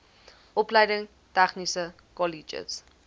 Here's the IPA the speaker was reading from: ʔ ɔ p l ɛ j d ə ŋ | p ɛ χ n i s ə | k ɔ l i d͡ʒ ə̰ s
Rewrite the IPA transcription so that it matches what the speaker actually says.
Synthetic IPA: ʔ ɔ p l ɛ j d ə ŋ | t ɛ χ n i s ə | k ɔ l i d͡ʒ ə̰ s